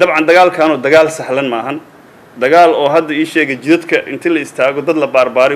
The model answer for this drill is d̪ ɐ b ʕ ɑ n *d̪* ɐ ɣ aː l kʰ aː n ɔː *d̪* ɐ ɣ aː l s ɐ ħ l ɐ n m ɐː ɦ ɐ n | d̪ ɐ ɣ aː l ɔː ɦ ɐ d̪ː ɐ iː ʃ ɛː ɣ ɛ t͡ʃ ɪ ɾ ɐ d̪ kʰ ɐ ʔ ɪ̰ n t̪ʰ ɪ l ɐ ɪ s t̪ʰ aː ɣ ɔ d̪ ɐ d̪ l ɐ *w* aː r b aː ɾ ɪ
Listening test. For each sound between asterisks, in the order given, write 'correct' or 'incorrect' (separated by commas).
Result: correct, correct, incorrect